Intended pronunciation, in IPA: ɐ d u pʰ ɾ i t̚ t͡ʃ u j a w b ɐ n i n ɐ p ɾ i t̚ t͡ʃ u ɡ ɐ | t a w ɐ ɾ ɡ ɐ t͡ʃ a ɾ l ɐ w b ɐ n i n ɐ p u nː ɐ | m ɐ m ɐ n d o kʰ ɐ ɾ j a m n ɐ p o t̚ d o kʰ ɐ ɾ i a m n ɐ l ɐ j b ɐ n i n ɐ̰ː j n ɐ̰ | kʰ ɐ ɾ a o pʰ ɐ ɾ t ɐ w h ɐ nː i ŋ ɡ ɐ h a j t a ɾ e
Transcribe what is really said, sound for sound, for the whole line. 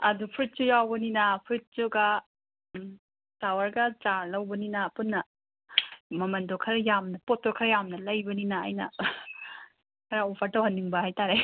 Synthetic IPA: ɐ d u pʰ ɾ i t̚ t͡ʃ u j a w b ɐ n i n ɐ pʰ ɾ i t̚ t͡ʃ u ɡ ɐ | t a w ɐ ɾ ɡ ɐ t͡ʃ a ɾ l ɐ w b ɐ n i n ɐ p u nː ɐ | m ɐ m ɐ n d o kʰ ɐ ɾ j a m n ɐ p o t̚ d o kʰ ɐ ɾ j a m n ɐ l ɐ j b ɐ n i n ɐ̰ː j n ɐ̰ | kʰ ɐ ɾ a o pʰ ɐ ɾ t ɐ w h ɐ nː i ŋ b ɐ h a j t a ɾ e